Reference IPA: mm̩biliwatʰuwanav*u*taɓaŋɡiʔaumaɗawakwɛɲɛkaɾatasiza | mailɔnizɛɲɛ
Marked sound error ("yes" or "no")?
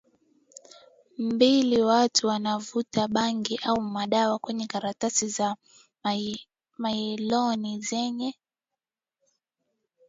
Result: no